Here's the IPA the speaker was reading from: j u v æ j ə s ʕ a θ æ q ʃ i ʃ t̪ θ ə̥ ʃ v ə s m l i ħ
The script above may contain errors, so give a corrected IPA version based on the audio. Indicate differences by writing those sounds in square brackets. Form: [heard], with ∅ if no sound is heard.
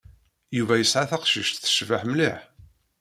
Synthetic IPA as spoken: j u v æ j ə s ʕ a θ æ q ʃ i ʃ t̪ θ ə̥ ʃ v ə [ħ] m l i ħ